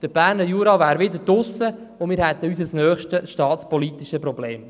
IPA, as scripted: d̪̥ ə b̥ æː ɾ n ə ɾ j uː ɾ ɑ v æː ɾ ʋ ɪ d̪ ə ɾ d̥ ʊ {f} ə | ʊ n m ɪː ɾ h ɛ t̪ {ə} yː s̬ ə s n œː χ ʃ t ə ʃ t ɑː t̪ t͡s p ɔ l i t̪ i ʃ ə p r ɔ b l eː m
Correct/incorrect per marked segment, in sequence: incorrect: s, correct

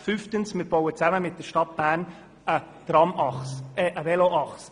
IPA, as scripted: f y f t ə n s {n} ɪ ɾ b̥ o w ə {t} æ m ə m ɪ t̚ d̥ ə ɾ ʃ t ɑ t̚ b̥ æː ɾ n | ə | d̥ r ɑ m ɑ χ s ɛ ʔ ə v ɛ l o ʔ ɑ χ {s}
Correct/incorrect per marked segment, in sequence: incorrect: m, incorrect: t͡s, correct

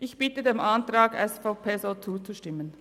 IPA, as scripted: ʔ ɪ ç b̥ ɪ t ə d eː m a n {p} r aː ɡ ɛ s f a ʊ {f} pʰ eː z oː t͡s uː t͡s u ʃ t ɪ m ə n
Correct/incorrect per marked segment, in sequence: incorrect: t, incorrect: none

